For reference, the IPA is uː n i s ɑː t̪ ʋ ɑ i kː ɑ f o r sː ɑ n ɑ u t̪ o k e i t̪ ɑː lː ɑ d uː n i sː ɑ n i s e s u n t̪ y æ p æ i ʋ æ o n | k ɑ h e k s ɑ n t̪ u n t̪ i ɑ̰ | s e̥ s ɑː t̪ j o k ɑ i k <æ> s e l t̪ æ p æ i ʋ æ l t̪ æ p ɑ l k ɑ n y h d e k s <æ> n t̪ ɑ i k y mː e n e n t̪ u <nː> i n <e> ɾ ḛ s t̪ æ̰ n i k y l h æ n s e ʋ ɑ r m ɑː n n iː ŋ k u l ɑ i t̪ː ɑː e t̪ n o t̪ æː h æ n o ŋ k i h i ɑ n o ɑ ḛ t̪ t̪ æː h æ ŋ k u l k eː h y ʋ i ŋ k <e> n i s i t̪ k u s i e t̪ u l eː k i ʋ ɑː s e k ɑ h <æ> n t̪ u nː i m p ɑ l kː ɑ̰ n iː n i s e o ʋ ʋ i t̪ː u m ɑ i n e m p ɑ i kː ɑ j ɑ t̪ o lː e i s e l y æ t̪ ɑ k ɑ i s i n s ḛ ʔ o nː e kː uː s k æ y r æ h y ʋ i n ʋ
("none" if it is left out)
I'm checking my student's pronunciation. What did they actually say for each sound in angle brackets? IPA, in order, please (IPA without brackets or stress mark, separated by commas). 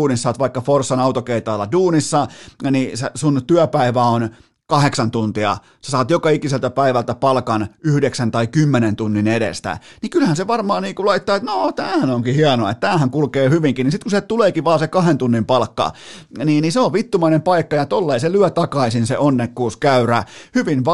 i, æ, nː, e, i, e